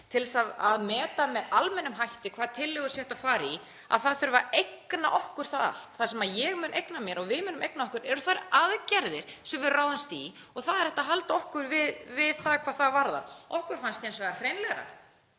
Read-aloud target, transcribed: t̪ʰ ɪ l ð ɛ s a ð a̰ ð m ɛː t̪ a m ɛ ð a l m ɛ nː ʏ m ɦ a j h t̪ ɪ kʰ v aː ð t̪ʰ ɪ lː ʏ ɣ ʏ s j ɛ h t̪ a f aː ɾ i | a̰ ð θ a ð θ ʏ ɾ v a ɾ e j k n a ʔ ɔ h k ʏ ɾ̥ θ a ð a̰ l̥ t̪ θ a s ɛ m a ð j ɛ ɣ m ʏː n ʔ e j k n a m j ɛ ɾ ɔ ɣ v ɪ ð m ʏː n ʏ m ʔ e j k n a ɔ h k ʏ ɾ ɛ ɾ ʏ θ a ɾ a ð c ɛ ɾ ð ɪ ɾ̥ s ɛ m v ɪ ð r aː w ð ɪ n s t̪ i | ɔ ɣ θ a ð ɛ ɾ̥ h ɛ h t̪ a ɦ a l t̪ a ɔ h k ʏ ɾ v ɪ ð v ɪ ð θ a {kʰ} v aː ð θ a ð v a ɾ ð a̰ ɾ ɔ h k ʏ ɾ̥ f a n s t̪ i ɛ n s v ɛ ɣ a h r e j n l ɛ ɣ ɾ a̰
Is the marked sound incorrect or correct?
correct